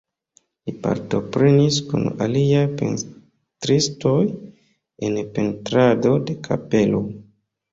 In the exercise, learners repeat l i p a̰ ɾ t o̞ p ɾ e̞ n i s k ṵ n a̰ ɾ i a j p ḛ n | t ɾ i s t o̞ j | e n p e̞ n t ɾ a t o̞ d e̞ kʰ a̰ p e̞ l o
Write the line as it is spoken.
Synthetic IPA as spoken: l i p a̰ ɾ t o̞ p ɾ e̞ n i s k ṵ n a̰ l i a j p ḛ n | t ɾ i s t o̞ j | e n p e̞ n t ɾ a d o̞ d e̞ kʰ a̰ p e̞ l o